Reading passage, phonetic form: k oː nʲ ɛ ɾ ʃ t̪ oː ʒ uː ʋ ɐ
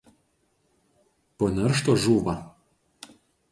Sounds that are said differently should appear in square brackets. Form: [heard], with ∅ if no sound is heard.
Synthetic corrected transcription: [p] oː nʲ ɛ ɾ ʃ t̪ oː ʒ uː ʋ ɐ